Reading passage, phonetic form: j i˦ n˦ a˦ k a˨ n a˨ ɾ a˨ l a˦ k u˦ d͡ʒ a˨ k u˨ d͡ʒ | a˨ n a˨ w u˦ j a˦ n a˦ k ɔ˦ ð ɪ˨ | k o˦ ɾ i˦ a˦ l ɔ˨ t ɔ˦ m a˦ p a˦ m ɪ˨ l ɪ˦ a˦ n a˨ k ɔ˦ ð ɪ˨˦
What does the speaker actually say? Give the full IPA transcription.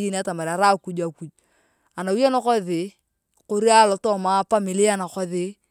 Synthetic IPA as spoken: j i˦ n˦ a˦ t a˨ m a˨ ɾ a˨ ɾ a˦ k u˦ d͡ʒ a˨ k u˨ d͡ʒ | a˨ n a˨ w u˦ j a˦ n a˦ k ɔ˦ ð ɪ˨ | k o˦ ɾ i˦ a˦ l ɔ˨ t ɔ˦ m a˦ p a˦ m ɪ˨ l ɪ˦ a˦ n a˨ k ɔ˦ ð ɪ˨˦